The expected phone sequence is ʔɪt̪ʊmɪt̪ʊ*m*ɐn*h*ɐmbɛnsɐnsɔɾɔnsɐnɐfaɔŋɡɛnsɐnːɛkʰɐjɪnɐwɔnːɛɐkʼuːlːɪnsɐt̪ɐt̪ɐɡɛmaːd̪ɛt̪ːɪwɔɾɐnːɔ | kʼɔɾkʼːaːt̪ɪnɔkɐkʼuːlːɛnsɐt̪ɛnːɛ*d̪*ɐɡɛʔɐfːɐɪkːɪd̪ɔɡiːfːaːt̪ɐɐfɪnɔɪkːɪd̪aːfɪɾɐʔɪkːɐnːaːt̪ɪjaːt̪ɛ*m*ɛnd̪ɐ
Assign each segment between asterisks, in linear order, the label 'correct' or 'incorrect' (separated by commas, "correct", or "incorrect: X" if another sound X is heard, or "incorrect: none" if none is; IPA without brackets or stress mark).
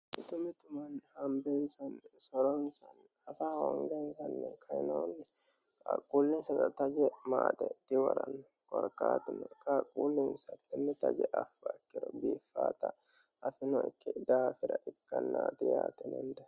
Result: correct, correct, incorrect: t̪, incorrect: n